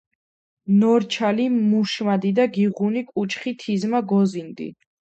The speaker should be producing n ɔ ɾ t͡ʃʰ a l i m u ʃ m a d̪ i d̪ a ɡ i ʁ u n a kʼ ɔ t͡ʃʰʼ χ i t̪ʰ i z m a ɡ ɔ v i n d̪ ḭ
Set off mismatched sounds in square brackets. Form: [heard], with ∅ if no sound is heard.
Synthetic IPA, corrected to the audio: n ɔ ɾ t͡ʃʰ a l i m u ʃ m a d̪ i d̪ a ɡ i ʁ u n [i] kʼ [u] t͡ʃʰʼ χ i t̪ʰ i z m a ɡ ɔ [z] i n d̪ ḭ